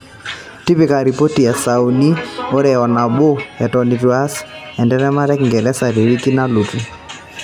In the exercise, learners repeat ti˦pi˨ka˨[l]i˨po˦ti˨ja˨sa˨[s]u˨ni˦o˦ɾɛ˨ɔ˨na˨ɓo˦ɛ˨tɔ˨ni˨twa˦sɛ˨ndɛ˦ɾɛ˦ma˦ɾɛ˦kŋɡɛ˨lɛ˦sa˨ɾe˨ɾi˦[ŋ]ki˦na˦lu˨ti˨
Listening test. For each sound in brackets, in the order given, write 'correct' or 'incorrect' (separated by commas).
incorrect, incorrect, incorrect